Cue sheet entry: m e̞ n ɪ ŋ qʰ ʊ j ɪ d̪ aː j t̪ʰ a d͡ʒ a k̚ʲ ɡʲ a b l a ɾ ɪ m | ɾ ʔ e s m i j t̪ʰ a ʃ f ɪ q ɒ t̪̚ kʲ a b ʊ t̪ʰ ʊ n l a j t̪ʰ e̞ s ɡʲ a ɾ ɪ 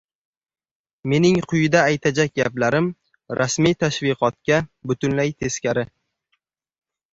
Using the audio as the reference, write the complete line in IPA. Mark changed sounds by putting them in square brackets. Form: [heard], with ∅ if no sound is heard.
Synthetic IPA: m e̞ n ɪ ŋ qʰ ʊ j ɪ d̪ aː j t̪ʰ a d͡ʒ a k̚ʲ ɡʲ a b l a ɾ ɪ m | ɾ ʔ [a] s m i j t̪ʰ a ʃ [v] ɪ q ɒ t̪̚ kʲ a b ʊ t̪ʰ ʊ n l a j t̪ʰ e̞ s [kʲ] a ɾ ɪ